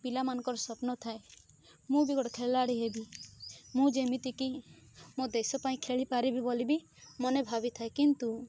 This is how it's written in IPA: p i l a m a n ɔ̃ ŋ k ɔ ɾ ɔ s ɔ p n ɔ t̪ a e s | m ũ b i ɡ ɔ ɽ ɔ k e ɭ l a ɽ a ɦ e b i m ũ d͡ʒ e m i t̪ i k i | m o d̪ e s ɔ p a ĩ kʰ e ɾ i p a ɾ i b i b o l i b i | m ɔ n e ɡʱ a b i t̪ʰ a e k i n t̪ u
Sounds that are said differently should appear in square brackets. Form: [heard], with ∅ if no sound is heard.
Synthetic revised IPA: p i l a m a n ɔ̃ ŋ k ɔ ɾ ɔ s ɔ p n ɔ [t̪ʰ] a e [∅] | m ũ b i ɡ ɔ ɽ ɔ [kʰ] e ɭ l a ɽ [i] ɦ e b i m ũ d͡ʒ e m i t̪ i k i | m o d̪ e s ɔ p a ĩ kʰ e [ɭ] i p a ɾ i b i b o l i b i | m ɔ n e [bʱ] a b i t̪ʰ a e k i n t̪ u